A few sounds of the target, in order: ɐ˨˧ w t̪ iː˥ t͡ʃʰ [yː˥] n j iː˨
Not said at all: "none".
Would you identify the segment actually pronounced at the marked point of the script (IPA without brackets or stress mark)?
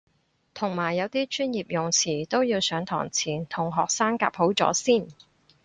yː˥